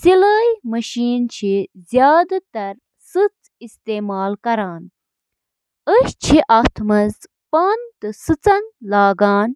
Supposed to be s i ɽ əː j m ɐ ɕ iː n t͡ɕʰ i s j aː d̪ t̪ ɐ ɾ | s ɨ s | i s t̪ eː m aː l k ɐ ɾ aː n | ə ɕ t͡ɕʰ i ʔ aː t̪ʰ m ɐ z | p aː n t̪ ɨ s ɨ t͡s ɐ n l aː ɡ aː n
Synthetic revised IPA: s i l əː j m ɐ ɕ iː n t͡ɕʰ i z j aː d̪ t̪ ɐ ɾ | s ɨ t͡s | i s t̪ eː m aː l k ɐ ɾ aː n | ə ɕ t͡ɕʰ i ʔ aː t̪ʰ m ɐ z | p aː n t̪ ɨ s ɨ t͡s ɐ n l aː ɡ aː n